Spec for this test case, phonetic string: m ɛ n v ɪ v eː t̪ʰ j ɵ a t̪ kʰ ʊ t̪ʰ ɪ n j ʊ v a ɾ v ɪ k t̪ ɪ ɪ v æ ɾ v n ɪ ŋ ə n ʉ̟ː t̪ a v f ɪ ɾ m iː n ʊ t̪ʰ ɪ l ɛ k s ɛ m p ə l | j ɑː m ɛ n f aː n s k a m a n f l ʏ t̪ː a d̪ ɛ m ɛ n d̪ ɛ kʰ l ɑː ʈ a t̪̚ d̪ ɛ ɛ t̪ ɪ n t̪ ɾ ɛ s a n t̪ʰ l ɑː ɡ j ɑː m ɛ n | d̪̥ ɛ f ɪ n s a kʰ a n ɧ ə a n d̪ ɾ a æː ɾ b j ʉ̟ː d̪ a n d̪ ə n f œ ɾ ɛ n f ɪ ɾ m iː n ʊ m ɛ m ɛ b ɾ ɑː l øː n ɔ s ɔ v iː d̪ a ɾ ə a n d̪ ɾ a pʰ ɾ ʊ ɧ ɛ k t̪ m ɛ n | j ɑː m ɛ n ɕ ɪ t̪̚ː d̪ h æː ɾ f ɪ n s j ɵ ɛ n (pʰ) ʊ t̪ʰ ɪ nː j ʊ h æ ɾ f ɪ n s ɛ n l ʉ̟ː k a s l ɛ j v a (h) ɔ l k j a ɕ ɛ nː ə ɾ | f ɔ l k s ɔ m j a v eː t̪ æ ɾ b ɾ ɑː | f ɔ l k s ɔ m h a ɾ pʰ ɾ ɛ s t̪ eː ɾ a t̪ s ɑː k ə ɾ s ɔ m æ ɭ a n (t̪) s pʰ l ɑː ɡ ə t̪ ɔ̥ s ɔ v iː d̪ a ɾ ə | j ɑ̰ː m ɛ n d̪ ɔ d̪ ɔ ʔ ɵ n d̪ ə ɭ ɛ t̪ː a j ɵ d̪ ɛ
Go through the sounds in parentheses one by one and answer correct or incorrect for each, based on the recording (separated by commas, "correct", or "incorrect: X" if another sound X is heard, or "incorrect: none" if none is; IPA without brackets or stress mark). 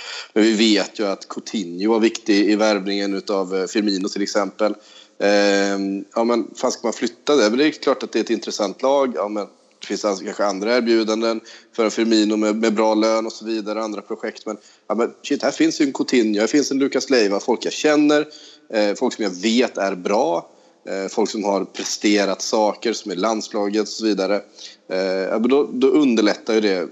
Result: incorrect: kʰ, incorrect: f, incorrect: d̪